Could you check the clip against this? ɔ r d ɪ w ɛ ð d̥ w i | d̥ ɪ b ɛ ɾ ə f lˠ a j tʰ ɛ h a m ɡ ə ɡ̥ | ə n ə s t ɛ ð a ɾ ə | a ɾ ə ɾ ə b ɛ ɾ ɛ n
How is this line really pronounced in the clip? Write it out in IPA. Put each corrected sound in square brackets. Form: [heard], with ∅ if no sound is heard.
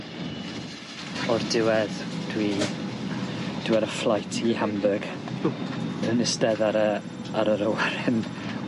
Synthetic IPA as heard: ɔ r d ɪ w ɛ ð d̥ w i | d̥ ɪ [w] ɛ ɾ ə f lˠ a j tʰ [i] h a m [b] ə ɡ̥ | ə n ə s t ɛ ð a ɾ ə | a ɾ ə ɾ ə [w] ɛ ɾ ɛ n

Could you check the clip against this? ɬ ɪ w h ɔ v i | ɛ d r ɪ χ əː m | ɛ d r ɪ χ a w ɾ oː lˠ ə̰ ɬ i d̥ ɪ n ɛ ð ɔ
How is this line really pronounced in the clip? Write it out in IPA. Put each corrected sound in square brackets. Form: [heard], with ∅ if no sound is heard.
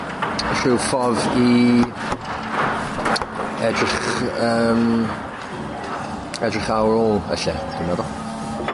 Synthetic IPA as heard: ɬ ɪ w [f] ɔ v i | ɛ d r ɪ χ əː m | ɛ d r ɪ χ a w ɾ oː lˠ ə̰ ɬ [ɛ] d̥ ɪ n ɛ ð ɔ

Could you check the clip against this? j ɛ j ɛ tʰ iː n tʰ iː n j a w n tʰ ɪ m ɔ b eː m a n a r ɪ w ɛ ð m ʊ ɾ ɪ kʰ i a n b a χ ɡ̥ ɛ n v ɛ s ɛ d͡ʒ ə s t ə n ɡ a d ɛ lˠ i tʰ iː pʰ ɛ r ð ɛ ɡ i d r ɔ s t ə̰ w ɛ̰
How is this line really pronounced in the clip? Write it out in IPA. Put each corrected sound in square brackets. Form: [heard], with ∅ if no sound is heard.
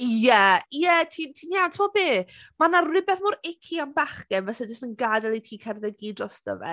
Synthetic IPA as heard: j ɛ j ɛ tʰ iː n tʰ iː n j a w n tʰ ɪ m ɔ b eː m a n a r ɪ [b] ɛ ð m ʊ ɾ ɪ kʰ i a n b a χ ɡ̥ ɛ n v ɛ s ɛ d͡ʒ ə s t ə n ɡ a d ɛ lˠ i tʰ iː [kʰ] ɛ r ð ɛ ɡ i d r ɔ s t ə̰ [v] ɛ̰

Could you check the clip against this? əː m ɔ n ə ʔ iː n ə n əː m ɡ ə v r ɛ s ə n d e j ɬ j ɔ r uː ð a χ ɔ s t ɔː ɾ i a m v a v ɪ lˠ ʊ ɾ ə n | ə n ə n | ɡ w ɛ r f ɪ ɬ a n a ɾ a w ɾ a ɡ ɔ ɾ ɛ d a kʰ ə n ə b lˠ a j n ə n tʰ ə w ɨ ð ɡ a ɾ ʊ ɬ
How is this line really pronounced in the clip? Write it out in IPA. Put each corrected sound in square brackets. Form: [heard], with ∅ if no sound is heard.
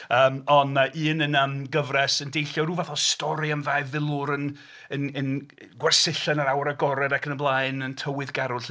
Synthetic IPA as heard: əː m ɔ n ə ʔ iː n ə n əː m ɡ ə v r ɛ s ə n d e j ɬ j ɔ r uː [v] a [θ] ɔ s t [ɔ] ɾ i a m v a v ɪ lˠ ʊ ɾ ə n | ə n ə n | ɡ w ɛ r [s] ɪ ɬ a n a ɾ a w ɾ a ɡ ɔ ɾ ɛ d a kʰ ə n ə b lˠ a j n ə n tʰ ə w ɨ ð ɡ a ɾ ʊ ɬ

